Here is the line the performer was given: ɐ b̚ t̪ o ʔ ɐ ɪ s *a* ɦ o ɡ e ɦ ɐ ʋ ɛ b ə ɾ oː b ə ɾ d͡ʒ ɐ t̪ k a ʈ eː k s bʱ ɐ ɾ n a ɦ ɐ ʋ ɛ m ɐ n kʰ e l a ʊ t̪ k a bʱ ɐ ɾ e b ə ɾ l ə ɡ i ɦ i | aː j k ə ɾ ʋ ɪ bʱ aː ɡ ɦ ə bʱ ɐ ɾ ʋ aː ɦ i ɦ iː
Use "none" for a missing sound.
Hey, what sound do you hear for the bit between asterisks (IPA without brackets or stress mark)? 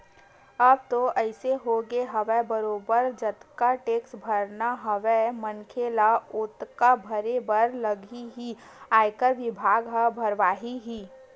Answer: e